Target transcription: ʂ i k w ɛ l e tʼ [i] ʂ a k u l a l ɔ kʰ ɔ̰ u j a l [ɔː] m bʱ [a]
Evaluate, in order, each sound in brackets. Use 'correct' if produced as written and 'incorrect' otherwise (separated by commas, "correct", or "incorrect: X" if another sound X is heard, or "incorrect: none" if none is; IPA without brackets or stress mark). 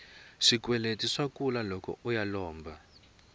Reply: correct, correct, correct